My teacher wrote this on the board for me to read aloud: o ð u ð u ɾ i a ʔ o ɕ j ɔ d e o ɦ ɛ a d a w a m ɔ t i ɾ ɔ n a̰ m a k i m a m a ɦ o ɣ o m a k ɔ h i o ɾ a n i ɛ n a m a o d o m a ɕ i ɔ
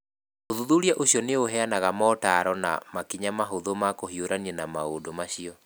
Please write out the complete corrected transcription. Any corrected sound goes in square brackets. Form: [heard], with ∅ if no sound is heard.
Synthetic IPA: o ð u ð u ɾ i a ʔ o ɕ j ɔ [n] e o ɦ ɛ a [n] a [ɣ] a m ɔ t [a] ɾ ɔ n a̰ m a k i [ɲ] a m a ɦ o [ð] o m a k [o] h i o ɾ a n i ɛ n a m a o d o m a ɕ i ɔ